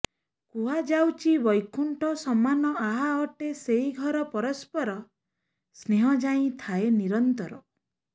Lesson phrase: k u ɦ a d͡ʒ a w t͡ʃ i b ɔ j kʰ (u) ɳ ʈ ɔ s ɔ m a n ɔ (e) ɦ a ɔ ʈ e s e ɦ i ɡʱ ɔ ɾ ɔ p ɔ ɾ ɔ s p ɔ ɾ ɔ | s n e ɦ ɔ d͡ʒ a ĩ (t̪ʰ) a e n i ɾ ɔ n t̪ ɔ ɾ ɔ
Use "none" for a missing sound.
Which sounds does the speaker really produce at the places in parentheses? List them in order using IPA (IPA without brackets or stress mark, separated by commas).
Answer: u, a, t̪ʰ